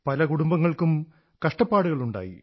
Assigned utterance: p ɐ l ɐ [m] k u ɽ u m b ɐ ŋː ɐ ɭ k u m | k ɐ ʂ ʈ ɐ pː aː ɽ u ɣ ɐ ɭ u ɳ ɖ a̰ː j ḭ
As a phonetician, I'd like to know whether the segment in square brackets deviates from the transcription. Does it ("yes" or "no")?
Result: yes